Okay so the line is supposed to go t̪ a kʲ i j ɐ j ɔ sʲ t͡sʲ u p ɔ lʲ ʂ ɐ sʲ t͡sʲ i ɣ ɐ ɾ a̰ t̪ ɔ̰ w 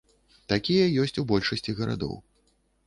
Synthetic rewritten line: t̪ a kʲ i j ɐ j ɔ sʲ t͡sʲ u b ɔ lʲ ʂ ɐ sʲ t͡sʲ i ɣ ɐ ɾ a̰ d̪ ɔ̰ w